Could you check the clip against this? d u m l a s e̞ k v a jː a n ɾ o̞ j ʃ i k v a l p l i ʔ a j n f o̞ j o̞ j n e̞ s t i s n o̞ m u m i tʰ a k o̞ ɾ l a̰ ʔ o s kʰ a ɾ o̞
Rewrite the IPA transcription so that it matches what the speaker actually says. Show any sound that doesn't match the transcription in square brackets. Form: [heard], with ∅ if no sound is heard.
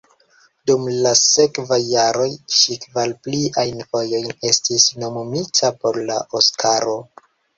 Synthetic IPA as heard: d u m l a s e̞ k v a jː a [∅] ɾ o̞ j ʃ i k v a l p l i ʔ a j n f o̞ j o̞ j n e̞ s t i s n o̞ m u m i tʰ a [p] o̞ ɾ l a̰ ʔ o s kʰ a ɾ o̞